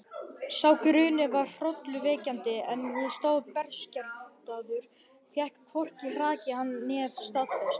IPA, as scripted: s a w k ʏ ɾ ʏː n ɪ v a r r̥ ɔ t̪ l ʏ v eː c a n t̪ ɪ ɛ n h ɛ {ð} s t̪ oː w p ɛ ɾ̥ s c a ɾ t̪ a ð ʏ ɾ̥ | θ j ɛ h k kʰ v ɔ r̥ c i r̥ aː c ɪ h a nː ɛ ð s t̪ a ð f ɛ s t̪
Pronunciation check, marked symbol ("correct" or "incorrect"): correct